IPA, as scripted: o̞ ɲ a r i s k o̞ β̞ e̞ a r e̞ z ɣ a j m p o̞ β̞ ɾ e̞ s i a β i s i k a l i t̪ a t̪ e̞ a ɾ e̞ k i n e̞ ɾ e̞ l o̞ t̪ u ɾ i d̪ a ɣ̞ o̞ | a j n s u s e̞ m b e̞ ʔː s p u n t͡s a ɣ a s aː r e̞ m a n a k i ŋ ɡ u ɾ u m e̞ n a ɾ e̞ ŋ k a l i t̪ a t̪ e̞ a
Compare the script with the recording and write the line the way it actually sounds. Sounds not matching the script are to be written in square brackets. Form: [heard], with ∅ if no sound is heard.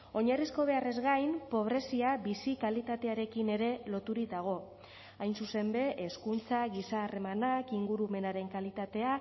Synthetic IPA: o̞ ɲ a r i s k o̞ β̞ e̞ a r e̞ z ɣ a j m p o̞ β̞ ɾ e̞ s i a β i s i k a l i t̪ a t̪ e̞ a ɾ e̞ k i n e̞ ɾ e̞ l o̞ t̪ u ɾ i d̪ a ɣ̞ o̞ | a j n s u s e̞ m b e̞ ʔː s [k] u n t͡s a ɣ [i] s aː r e̞ m a n a k i ŋ ɡ u ɾ u m e̞ n a ɾ e̞ ŋ k a l i t̪ a t̪ e̞ a